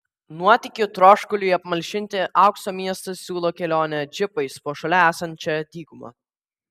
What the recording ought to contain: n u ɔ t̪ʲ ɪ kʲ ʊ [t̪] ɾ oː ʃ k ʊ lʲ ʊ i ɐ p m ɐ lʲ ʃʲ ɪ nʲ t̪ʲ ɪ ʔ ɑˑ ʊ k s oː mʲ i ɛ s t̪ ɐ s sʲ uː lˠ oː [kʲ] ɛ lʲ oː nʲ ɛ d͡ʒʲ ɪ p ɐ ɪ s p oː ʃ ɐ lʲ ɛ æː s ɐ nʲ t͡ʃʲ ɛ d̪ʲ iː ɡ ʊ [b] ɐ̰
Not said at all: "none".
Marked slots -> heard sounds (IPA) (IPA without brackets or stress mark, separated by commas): t̪, kʲ, m